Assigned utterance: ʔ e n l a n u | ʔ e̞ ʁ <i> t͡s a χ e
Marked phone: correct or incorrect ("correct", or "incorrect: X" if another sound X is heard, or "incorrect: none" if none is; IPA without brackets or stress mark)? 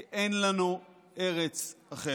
incorrect: e